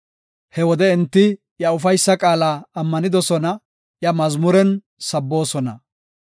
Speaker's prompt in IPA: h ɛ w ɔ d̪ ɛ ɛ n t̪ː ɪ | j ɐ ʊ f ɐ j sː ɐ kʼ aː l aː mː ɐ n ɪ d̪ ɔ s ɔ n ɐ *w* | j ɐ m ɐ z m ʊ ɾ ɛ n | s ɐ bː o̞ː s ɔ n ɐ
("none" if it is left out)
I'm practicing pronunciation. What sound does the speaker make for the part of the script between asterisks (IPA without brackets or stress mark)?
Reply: none